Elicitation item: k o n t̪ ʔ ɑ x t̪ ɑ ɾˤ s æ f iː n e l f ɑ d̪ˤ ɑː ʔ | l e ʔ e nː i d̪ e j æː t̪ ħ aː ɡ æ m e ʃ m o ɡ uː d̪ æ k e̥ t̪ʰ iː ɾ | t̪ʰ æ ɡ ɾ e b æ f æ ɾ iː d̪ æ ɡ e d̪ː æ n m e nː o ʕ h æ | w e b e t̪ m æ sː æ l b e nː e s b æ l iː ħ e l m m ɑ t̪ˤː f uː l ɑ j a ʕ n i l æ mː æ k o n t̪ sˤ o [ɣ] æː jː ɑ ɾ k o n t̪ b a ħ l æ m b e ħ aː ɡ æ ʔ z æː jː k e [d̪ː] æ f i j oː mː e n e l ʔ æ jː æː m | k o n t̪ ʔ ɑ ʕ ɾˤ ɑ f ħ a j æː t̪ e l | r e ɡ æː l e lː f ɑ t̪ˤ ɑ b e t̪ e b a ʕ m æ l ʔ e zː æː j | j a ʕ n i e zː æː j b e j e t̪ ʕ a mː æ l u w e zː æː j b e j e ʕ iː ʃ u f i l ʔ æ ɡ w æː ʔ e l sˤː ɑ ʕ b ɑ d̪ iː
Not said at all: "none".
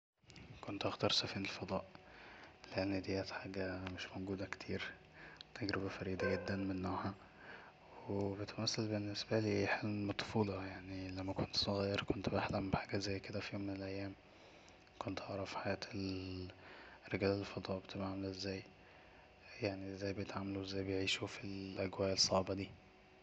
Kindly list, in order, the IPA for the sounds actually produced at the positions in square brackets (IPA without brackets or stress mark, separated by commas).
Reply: ɣ, d̪